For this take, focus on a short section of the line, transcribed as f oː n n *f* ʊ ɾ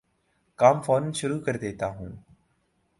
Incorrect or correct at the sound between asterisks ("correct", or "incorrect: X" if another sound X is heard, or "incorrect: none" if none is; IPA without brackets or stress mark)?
incorrect: ʃ